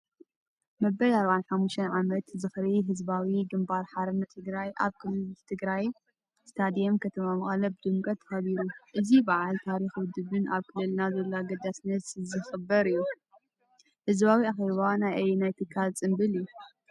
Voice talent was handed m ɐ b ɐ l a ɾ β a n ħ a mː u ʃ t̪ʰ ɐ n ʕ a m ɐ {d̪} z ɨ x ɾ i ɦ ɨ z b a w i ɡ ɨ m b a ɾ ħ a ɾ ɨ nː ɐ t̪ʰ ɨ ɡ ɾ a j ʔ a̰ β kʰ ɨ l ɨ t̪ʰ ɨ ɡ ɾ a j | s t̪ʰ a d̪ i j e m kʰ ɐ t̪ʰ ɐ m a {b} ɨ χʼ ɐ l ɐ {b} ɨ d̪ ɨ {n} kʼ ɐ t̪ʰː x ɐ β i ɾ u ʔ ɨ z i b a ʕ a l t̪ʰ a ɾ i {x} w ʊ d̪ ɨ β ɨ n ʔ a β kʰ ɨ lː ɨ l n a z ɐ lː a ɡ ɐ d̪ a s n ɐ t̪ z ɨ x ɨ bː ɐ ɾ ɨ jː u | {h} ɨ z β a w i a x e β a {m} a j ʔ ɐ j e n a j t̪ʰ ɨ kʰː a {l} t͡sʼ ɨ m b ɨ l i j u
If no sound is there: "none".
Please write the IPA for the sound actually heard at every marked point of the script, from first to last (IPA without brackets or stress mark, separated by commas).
t̪, m, b, m, x, h, n, l